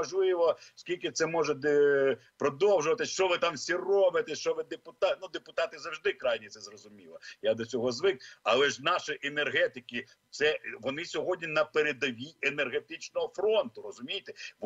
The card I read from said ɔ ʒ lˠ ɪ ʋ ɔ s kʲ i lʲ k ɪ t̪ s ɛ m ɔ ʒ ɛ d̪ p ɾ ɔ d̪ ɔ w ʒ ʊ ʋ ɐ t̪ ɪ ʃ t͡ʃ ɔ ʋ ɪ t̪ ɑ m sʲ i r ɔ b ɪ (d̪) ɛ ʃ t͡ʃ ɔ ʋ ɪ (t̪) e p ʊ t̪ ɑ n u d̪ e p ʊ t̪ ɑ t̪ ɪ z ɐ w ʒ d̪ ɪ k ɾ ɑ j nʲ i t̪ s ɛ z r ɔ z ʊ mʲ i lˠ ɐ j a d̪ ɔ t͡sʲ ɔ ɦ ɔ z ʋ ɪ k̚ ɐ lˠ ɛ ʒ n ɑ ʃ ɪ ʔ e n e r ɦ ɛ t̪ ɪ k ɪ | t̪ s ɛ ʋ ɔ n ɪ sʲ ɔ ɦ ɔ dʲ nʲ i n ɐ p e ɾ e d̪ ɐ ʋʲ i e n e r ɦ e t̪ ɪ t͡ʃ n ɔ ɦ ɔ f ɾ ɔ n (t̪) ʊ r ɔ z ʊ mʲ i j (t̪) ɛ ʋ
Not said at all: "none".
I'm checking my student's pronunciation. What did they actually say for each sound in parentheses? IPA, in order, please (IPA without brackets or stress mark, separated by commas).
t̪, d̪, t̪, t̪